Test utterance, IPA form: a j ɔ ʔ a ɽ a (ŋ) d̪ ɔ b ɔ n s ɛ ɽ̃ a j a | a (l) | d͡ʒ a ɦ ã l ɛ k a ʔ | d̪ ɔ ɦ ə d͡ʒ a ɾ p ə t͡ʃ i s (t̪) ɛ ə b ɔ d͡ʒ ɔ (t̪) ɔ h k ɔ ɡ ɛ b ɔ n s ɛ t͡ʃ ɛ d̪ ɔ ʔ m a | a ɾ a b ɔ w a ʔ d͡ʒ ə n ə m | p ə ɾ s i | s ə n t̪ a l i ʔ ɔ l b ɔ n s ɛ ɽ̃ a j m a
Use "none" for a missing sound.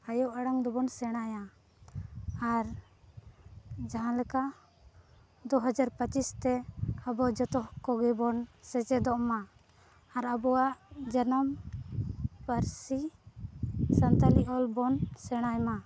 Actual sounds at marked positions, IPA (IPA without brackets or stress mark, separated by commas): ŋ, ɾ, t̪, t̪